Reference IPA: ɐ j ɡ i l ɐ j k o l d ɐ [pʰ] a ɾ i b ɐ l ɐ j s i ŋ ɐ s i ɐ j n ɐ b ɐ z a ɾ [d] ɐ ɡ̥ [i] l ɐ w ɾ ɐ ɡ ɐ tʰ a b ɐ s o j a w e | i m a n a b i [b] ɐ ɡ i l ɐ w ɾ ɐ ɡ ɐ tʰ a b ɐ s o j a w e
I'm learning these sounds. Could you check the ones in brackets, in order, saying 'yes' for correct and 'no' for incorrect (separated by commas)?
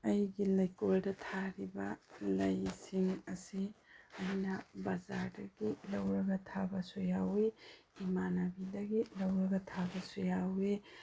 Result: no, yes, yes, no